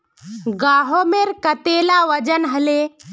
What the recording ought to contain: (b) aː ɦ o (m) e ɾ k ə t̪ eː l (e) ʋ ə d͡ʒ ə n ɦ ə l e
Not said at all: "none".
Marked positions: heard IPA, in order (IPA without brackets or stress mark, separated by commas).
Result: ɡ, m, a